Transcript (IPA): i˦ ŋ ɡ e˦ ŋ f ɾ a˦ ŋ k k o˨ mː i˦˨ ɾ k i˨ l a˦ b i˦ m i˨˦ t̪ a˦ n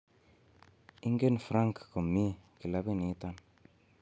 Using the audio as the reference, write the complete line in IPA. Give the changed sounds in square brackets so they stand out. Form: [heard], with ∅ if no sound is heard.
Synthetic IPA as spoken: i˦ ŋ ɡ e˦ [n] f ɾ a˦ ŋ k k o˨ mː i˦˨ [∅] k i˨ l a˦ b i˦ [n] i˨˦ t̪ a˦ n